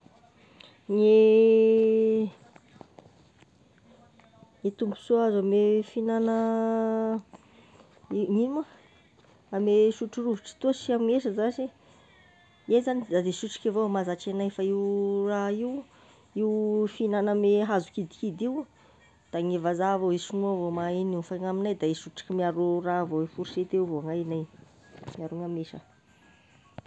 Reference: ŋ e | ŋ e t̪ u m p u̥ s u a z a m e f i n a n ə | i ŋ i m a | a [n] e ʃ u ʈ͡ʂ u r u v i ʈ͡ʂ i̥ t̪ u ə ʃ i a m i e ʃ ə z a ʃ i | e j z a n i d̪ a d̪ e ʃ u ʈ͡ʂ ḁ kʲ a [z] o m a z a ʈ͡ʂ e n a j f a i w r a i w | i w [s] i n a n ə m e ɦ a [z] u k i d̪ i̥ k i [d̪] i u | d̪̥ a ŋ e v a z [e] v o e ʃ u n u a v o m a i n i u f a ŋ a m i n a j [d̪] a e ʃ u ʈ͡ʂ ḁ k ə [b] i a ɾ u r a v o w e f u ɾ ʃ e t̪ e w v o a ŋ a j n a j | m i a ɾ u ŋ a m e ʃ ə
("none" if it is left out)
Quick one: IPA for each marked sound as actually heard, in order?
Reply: m, v, f, z, d̪, a, d̪, m

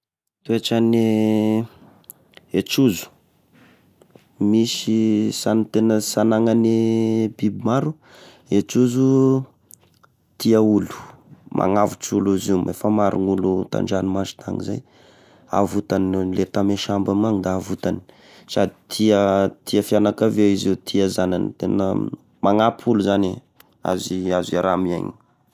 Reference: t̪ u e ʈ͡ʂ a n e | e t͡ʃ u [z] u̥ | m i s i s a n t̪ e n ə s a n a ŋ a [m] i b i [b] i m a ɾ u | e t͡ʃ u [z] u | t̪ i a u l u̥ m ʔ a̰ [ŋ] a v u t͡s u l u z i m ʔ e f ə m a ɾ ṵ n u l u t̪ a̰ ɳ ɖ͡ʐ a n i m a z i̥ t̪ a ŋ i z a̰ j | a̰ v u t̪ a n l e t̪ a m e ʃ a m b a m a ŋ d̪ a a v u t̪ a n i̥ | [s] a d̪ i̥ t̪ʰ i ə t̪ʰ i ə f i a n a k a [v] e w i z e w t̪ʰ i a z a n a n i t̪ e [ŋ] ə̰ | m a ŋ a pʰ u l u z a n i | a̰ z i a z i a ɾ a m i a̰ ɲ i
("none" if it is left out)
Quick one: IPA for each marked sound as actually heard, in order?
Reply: z, n, b, z, ŋ, s, v, n

